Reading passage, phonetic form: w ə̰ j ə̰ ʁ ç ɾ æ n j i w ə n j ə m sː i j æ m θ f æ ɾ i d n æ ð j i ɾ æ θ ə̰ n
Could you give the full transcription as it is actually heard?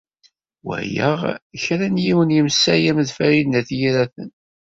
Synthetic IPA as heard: w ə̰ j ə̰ ʁ ç ɾ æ n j i w ə n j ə m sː æ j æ m ð f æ ɾ i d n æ θ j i ɾ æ θ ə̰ n